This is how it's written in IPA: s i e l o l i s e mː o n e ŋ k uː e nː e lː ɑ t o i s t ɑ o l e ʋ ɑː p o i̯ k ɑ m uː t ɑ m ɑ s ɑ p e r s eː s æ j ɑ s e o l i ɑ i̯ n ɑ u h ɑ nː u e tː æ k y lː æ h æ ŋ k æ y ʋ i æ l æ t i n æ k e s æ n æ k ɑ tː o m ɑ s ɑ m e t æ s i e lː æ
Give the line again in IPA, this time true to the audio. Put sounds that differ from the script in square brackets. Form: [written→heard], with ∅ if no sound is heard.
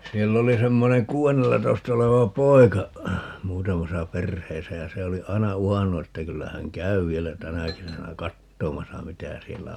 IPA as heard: s i e [l→lː] o l i s e mː o n e ŋ k uː e nː e lː ɑ t o i s t ɑ o l e ʋ [ɑː→ɑ] p o i̯ k ɑ m uː t ɑ m ɑ s ɑ p e r [s→h] eː s æ j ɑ s e o l i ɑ i̯ n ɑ u h ɑ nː u e tː æ k y lː æ h æ ŋ k æ y ʋ i [æ→e] l æ t [i→æ] n æ k e s æ n æ k ɑ tː o m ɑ s ɑ m [e→i] t æ s i e lː æ